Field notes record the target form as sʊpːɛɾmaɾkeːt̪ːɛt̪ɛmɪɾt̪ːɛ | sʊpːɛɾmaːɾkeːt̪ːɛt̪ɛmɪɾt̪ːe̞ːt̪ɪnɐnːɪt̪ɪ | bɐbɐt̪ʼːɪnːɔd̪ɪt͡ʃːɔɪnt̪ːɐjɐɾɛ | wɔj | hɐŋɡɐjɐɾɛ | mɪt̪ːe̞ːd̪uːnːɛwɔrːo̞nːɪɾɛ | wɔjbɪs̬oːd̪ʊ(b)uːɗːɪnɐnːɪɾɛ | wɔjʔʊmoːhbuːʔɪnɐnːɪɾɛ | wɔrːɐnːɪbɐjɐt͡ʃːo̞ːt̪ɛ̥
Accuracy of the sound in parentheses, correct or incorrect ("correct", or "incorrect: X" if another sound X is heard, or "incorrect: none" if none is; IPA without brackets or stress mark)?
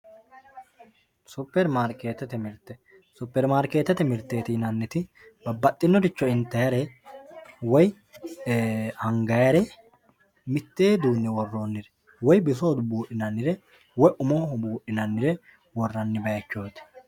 correct